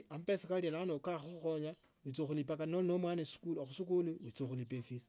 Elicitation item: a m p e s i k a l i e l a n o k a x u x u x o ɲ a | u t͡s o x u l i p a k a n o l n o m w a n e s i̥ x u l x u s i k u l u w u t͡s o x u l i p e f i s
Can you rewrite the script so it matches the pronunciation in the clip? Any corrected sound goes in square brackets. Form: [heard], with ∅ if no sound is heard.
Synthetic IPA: a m p e s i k a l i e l a n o k a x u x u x o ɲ a | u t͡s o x u l i p a k a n o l n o m w a n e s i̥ [k] u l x u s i k u l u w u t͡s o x u l i p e f i s